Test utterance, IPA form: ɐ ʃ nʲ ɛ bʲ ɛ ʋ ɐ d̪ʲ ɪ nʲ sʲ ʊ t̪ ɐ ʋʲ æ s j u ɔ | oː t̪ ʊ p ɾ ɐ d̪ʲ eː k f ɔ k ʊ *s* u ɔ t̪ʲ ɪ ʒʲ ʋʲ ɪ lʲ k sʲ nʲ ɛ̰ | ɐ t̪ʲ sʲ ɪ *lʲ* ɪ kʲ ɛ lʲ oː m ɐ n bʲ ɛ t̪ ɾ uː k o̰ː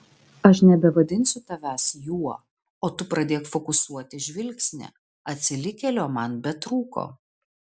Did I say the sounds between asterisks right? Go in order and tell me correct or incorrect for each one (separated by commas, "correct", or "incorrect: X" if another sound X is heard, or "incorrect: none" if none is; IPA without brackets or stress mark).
correct, correct